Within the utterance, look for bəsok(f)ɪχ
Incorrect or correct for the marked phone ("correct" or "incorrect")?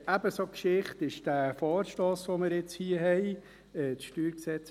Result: incorrect